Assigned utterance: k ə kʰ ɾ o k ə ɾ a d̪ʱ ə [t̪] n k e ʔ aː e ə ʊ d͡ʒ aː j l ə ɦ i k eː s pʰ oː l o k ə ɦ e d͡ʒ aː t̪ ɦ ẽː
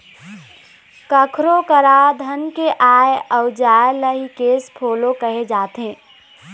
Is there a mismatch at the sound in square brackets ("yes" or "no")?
yes